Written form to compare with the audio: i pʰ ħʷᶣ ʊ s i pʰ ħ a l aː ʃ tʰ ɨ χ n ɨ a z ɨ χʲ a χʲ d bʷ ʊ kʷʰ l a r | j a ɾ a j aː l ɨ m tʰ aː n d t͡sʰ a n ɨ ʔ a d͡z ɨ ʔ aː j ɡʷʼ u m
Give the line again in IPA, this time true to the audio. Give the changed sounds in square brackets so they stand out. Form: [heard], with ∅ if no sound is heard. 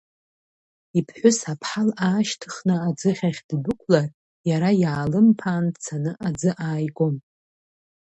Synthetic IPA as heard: i pʰ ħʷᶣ ʊ s [a] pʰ ħ a l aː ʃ tʰ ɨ χ n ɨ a [d͡z] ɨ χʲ a χʲ d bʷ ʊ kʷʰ l a r | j a ɾ a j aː l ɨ m [pʰ] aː n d t͡sʰ a n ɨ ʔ a d͡z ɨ ʔ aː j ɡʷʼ [o] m